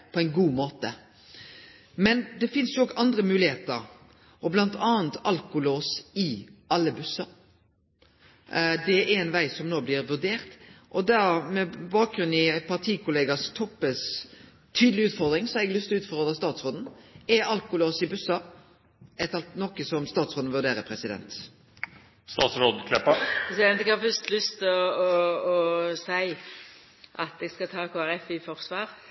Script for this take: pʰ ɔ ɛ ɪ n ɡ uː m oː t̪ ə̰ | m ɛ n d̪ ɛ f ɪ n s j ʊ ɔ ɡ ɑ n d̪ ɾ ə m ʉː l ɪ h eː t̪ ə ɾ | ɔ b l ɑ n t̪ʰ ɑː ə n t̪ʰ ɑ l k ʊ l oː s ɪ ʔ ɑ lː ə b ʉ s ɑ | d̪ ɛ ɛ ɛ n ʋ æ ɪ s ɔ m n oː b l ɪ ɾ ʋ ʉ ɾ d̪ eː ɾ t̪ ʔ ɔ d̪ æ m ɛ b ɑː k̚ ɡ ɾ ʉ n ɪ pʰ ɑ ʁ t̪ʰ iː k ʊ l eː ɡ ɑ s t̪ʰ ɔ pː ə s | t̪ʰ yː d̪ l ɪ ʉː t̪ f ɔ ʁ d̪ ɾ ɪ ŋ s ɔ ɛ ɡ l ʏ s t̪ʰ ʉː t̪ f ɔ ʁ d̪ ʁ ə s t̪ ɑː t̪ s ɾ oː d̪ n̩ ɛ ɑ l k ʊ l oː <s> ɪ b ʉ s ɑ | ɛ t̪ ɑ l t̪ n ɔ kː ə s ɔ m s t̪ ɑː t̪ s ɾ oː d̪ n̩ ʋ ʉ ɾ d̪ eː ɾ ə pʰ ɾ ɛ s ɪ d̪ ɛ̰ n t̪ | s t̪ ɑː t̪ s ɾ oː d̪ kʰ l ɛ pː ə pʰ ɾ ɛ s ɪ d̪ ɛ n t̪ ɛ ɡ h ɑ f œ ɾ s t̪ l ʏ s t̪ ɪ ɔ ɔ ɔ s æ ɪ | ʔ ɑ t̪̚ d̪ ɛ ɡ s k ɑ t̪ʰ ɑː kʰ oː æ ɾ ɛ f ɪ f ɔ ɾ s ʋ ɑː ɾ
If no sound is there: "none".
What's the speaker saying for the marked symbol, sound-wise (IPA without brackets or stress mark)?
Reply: s